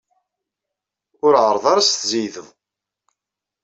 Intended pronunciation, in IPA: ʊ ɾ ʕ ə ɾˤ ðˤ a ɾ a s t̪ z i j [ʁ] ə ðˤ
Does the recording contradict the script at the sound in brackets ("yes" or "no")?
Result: yes